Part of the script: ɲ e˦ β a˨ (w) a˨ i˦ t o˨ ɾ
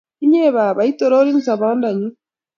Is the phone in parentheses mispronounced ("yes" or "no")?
yes